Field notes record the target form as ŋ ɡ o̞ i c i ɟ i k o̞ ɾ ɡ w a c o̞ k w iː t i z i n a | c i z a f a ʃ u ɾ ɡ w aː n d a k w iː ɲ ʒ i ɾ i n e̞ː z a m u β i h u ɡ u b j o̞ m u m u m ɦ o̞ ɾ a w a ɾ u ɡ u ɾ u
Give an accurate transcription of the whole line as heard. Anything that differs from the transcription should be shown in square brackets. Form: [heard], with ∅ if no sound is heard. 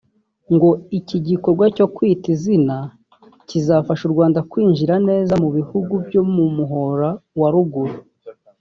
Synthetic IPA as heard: ŋ ɡ o̞ i c i ɟ i k o̞ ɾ ɡ w a c o̞ k w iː t i z i n a | c i z a f a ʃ u ɾ ɡ w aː n d a k w iː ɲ ʒ i ɾ [a] n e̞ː z a m u β i h u ɡ u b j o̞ m u m u [∅] ɦ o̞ ɾ a w a ɾ u ɡ u ɾ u